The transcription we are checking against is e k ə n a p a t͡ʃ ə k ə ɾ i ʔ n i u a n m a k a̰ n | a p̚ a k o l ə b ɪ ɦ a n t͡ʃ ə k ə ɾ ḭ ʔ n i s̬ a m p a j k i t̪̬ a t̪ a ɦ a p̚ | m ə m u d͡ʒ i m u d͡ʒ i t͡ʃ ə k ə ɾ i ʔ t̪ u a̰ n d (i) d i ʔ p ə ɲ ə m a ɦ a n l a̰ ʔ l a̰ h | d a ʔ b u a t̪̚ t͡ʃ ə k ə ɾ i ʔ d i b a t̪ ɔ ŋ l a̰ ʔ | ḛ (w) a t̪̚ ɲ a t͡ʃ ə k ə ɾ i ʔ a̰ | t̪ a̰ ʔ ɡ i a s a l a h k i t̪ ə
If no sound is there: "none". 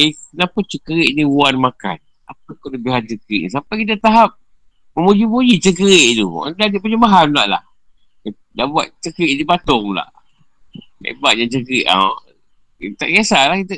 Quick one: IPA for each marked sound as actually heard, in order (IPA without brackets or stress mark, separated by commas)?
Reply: a, b